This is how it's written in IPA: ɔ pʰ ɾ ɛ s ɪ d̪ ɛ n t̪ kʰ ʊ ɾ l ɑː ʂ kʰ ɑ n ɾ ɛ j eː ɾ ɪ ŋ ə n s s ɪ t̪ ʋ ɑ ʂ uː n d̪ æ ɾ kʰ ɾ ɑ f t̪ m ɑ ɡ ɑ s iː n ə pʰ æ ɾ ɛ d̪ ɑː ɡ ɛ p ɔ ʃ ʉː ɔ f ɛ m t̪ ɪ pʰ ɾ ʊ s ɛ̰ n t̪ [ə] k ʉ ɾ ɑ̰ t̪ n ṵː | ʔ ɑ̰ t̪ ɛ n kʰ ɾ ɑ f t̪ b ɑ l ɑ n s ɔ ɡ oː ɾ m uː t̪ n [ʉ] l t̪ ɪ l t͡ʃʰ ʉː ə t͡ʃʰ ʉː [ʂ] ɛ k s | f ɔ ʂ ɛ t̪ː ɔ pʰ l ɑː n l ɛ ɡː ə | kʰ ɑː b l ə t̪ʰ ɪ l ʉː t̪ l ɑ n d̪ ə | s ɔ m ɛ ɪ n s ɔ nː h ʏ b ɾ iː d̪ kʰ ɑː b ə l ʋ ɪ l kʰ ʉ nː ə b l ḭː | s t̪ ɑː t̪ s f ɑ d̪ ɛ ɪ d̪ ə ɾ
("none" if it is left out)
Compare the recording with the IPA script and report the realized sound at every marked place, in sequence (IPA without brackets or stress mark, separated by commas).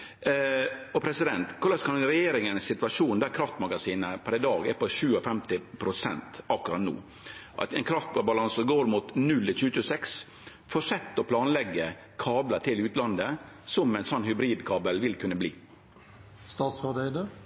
ɑ, ʉ, s